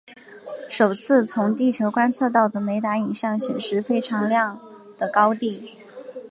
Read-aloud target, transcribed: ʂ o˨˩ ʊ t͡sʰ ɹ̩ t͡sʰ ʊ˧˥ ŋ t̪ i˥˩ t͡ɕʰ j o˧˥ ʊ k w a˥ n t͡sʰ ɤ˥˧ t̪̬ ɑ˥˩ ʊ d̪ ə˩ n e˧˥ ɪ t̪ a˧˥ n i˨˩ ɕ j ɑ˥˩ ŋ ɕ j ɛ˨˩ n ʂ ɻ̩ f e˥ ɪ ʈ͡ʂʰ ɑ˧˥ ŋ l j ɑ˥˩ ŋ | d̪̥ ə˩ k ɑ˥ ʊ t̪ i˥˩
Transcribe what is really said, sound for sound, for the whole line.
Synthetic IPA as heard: ʂ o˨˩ ʊ t͡sʰ ɹ̩ t͡sʰ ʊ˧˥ ŋ t̪ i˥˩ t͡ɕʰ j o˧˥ ʊ k w a˥ n t͡sʰ ɤ˥˧ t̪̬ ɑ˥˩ ʊ d̪ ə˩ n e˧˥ ɪ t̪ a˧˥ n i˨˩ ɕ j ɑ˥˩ ŋ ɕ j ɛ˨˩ n ʂ ɻ̩ f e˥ ɪ ʈ͡ʂʰ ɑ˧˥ ŋ l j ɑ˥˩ ŋ | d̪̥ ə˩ k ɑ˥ ʊ t̪ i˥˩